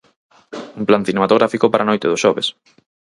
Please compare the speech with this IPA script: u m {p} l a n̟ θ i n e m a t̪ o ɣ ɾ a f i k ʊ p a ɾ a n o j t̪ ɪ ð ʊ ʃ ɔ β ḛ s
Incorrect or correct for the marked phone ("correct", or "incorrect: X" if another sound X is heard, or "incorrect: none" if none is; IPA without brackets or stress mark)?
correct